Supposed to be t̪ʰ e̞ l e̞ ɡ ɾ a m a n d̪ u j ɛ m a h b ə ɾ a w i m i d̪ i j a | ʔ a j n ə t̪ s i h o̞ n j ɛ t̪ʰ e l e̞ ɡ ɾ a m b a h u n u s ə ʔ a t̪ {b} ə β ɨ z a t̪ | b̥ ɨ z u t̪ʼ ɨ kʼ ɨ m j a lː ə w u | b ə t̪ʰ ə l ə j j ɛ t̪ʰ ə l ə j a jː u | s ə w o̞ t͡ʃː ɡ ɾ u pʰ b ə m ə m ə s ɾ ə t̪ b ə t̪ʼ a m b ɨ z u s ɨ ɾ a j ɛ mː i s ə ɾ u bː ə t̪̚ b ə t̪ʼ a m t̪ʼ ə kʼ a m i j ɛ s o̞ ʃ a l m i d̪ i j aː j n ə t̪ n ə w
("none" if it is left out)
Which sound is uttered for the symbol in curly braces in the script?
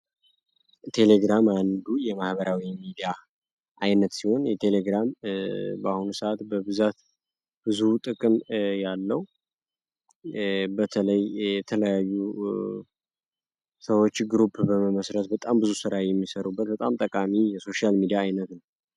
b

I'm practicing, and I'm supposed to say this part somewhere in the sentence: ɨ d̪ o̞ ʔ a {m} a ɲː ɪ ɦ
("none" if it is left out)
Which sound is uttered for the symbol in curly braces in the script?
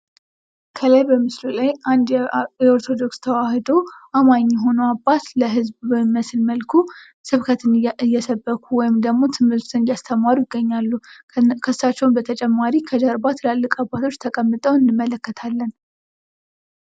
m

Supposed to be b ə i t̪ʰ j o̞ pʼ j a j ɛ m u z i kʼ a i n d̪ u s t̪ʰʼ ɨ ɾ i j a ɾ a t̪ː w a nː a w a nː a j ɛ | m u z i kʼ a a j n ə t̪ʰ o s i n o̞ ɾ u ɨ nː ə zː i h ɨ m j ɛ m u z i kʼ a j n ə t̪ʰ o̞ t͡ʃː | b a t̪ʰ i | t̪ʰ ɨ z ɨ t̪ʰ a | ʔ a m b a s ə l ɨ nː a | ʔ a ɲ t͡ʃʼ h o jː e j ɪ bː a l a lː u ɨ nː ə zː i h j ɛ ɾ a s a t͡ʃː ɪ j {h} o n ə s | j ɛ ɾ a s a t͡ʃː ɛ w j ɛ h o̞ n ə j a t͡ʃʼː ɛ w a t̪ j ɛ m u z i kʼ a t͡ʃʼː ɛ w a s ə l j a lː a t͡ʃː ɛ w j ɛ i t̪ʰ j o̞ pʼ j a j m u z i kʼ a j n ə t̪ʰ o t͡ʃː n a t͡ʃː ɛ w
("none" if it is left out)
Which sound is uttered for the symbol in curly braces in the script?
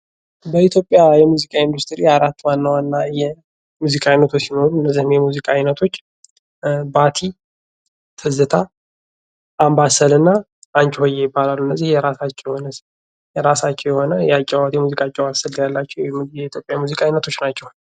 h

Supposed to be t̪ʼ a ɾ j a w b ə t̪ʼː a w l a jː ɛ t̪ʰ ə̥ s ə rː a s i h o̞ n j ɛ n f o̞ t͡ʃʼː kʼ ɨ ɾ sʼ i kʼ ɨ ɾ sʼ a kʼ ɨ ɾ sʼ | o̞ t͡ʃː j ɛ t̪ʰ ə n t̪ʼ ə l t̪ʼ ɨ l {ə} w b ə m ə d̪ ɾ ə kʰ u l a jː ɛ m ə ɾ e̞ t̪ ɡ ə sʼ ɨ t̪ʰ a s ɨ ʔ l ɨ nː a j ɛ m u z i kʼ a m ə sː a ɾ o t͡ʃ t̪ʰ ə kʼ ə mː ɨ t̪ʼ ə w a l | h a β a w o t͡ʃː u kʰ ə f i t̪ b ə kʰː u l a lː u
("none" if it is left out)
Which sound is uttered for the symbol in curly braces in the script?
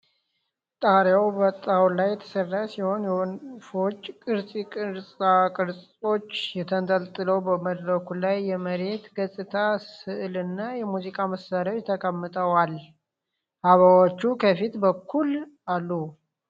ə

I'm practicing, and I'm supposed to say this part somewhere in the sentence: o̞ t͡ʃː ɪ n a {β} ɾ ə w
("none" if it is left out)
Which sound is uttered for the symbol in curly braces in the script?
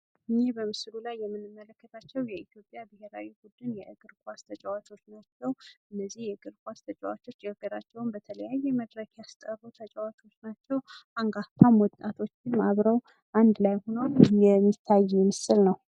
β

